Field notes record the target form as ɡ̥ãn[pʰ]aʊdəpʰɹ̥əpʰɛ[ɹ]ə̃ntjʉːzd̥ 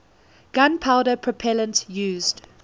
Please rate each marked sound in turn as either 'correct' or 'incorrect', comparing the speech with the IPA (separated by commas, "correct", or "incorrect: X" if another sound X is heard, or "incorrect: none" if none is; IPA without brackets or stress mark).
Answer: correct, incorrect: l